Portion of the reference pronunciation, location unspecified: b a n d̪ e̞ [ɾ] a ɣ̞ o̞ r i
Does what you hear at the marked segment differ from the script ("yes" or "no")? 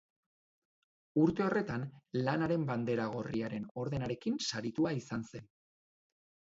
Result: no